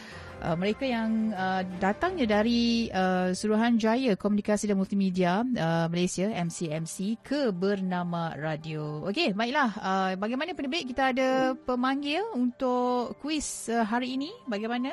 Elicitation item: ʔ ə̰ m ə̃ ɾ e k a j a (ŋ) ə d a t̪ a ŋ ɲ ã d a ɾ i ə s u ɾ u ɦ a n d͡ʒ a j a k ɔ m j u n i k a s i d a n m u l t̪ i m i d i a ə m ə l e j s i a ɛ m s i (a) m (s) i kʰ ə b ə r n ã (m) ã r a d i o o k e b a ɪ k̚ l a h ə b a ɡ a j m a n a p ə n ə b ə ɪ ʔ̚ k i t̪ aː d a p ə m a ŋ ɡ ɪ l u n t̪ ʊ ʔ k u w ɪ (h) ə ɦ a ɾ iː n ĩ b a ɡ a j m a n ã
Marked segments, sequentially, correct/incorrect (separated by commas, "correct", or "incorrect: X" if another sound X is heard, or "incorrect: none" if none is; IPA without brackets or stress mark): correct, incorrect: ɛ, correct, correct, incorrect: s